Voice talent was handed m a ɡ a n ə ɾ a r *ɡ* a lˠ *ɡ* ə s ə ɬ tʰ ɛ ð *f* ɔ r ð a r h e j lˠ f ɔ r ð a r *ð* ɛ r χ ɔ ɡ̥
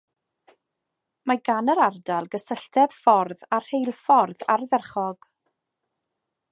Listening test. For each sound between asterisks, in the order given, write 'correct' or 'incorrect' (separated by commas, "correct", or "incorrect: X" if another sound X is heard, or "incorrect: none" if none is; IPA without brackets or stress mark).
incorrect: d, correct, correct, correct